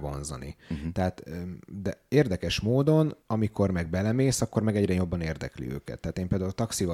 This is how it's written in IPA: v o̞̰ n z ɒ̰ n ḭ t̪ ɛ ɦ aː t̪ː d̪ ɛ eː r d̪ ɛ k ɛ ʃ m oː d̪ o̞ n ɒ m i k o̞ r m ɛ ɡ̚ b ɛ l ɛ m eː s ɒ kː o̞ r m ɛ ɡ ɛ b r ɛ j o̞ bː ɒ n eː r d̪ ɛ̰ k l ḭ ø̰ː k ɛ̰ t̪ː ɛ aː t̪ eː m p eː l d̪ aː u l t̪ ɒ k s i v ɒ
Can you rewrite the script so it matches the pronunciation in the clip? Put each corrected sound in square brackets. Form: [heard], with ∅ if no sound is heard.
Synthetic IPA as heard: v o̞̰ n z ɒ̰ n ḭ t̪ ɛ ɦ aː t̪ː d̪ ɛ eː r d̪ ɛ k ɛ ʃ m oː d̪ o̞ n ɒ m i k o̞ r m ɛ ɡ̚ b ɛ l ɛ m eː s ɒ kː o̞ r m ɛ ɡ ɛ [ɟ] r ɛ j o̞ bː ɒ n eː r d̪ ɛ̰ k l ḭ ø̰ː k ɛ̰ t̪ː ɛ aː t̪ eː m p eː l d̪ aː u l t̪ ɒ k s i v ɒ